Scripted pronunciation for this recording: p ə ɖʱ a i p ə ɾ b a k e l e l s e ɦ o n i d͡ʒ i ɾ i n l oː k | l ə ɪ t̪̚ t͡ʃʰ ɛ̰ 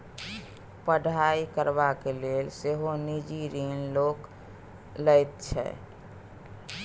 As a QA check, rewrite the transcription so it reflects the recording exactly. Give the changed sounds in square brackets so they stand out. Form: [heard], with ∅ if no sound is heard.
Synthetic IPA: p ə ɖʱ a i [k] ə ɾ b a k e l e l s e ɦ o n i d͡ʒ i ɾ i n l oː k | l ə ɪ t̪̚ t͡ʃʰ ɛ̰